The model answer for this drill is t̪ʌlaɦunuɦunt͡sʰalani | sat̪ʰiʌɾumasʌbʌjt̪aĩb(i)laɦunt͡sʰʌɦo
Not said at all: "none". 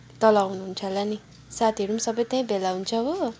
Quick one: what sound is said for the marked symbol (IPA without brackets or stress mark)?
e